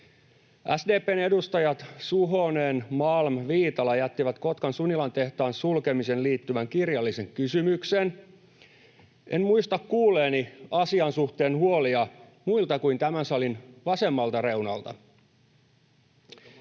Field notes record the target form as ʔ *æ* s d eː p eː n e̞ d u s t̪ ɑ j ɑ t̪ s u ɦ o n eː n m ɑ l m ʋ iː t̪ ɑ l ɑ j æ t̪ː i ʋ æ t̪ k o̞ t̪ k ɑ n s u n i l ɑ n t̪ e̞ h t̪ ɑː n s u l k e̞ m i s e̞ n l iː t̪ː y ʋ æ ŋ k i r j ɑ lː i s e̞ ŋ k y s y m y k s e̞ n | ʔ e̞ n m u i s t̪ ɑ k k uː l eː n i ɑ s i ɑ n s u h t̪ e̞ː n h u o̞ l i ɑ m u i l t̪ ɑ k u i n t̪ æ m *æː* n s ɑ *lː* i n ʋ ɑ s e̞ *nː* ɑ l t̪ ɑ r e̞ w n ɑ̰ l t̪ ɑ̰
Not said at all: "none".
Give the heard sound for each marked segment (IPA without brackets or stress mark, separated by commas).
æ, æ, l, mː